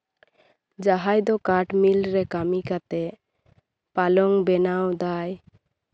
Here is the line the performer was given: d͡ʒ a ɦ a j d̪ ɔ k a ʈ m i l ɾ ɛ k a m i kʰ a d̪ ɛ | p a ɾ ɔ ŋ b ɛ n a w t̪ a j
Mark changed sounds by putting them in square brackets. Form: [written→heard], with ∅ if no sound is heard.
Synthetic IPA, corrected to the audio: d͡ʒ a ɦ a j d̪ ɔ k a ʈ m i l ɾ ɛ k a m i [kʰ→k] a [d̪→t̪] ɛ | p a [ɾ→l] ɔ ŋ b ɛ n a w [t̪→d̪] a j